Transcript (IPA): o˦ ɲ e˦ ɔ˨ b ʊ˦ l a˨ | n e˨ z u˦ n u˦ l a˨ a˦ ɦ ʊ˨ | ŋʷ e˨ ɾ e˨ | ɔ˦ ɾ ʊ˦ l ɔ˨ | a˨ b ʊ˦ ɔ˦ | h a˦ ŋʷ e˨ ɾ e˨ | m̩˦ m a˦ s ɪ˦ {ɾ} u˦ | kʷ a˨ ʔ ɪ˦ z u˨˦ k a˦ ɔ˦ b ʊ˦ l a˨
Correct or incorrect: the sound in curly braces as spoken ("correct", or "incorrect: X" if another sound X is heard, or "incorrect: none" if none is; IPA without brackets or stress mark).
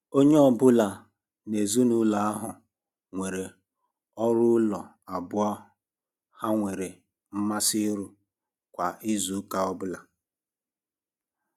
correct